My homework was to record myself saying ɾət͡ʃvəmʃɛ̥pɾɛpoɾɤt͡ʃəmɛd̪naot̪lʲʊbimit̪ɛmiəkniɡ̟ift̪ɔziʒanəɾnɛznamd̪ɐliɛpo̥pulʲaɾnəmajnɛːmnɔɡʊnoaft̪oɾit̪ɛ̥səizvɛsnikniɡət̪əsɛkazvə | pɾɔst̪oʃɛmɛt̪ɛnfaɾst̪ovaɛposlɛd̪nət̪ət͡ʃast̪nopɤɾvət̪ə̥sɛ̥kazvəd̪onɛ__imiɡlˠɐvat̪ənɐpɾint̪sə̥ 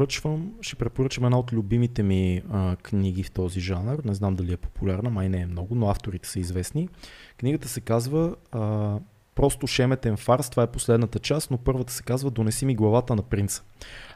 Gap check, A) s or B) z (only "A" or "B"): A